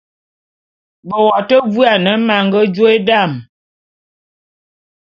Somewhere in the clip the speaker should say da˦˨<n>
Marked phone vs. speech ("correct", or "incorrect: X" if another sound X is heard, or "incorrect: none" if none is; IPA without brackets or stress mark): incorrect: m